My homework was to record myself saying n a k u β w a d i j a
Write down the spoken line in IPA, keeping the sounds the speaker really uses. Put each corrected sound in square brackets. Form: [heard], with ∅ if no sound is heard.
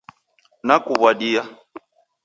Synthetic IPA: n a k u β w a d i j a